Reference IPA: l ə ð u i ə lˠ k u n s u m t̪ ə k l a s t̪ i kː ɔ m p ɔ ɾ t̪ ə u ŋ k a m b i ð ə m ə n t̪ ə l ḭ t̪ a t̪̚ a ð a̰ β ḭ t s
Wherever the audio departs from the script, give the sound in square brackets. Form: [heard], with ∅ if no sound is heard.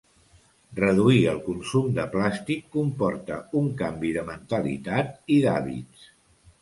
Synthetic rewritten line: [r] ə ð u i ə lˠ k u n s u m [d̪] ə [p] l a s t̪ i kː [u] m p ɔ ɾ t̪ ə u ŋ k a m b i ð ə m ə n t̪ ə l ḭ t̪ a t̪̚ [i] ð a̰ β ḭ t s